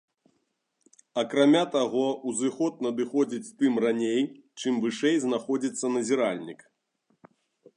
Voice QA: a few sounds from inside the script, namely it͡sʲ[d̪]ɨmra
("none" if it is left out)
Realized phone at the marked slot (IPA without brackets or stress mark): t̪